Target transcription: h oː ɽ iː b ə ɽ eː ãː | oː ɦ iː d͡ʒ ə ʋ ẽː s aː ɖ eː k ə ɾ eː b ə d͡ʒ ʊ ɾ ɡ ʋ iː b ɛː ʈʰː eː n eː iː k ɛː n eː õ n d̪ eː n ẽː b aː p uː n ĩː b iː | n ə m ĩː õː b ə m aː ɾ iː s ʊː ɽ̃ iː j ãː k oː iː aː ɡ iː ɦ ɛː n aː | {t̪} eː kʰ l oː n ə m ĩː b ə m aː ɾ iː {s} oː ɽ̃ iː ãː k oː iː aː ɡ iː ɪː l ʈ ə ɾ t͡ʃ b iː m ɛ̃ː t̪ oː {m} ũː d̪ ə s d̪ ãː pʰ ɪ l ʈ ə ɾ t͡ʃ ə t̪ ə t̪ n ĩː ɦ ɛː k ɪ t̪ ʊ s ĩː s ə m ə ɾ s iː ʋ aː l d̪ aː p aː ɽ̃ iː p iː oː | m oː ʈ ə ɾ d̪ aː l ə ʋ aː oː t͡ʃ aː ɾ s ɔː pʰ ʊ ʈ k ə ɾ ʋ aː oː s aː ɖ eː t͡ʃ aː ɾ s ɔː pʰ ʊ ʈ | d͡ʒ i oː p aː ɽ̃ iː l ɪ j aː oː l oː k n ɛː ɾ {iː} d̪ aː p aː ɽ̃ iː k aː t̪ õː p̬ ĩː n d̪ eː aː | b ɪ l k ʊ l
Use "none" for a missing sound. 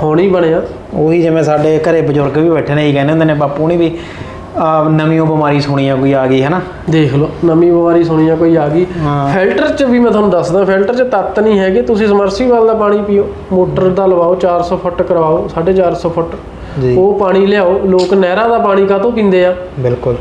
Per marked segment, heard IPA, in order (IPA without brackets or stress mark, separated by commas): d̪, s, n, aː